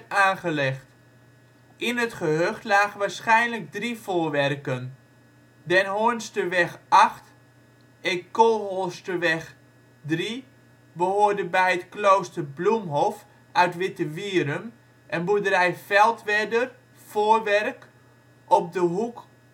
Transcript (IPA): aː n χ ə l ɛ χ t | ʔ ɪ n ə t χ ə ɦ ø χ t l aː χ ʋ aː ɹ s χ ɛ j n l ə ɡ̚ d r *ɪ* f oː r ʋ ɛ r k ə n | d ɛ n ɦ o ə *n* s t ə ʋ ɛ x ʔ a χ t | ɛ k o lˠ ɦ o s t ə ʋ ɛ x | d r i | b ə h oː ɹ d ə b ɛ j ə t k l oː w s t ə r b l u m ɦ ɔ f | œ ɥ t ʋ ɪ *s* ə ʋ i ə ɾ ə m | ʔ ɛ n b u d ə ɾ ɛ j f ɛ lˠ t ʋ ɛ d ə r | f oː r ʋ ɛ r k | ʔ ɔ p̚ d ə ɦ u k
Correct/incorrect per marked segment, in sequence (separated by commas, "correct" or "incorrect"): incorrect, correct, incorrect